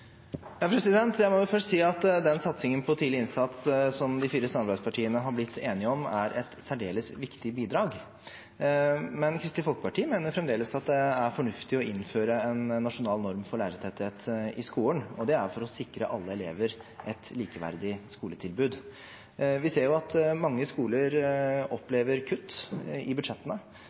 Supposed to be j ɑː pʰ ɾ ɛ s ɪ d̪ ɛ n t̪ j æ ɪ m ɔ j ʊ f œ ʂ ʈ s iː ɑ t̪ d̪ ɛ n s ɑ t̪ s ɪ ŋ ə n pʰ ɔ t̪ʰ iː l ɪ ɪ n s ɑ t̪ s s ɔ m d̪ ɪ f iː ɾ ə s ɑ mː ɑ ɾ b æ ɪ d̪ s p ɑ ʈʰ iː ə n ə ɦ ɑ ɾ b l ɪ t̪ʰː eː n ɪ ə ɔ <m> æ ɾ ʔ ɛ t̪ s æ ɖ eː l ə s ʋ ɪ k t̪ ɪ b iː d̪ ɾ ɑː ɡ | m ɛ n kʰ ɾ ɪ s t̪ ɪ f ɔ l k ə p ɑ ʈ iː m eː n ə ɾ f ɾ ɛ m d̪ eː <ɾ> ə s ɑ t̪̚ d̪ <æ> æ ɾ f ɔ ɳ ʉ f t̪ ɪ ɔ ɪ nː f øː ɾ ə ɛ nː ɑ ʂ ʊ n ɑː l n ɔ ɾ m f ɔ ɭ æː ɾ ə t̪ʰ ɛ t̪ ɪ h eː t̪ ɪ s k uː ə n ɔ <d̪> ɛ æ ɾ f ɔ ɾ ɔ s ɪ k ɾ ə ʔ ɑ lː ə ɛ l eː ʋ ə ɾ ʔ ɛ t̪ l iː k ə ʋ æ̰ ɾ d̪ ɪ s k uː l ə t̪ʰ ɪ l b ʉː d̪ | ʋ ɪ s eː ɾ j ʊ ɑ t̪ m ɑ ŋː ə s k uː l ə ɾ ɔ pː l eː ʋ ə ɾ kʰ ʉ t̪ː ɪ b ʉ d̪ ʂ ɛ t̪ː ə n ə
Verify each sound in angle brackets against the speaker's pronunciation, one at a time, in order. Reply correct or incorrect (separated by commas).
correct, incorrect, incorrect, correct